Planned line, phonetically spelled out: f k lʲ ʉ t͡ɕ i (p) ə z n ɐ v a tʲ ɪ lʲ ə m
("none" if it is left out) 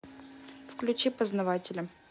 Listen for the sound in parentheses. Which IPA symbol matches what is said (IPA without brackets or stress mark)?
p